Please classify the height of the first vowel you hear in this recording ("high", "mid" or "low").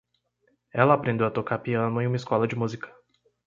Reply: mid